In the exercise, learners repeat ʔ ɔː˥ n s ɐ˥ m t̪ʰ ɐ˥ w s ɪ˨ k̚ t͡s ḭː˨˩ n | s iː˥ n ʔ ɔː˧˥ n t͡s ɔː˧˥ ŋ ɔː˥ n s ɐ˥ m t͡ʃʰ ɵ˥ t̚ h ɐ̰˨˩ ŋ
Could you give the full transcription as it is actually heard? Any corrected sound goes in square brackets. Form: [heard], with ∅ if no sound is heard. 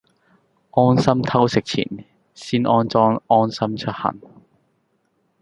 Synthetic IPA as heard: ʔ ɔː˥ n s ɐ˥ m t̪ʰ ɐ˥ w s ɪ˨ k̚ [t͡sʰ] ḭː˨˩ n | s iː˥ n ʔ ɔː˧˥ n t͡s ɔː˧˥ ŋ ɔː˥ n s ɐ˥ m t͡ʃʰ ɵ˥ t̚ h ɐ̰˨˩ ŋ